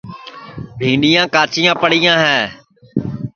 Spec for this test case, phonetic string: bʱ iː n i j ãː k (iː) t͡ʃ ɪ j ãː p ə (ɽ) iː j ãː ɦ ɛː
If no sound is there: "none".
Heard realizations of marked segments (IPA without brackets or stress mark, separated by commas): aː, ɽ